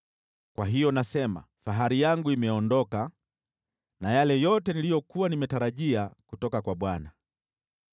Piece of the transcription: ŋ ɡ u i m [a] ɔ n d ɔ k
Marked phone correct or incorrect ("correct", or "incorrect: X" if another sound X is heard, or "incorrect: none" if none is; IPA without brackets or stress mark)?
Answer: incorrect: ɛ